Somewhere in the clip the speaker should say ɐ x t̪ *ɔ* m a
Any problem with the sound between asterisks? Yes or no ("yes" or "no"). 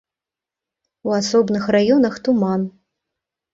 yes